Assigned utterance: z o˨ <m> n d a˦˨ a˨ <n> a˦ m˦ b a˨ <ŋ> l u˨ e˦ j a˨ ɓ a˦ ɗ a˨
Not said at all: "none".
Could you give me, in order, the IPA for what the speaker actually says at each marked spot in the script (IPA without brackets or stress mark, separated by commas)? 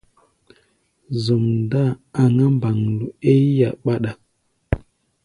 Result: m, ŋ, ŋ